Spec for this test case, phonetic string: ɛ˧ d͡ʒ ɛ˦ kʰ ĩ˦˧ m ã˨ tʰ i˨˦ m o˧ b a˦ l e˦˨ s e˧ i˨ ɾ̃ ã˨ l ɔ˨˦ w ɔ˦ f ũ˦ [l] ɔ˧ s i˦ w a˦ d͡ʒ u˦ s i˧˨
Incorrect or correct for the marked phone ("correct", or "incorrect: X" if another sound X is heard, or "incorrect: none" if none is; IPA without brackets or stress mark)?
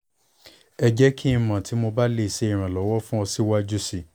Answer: incorrect: none